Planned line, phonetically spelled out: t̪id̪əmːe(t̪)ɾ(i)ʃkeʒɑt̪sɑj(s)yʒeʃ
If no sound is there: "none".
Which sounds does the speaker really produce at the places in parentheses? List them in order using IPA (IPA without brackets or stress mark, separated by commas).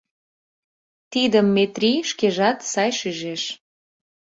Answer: t̪, i, ʃ